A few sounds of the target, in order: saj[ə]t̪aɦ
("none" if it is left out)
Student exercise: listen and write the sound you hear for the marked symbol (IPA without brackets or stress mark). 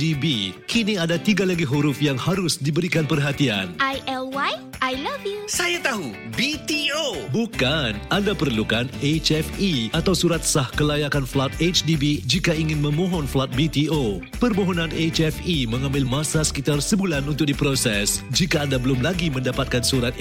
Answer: a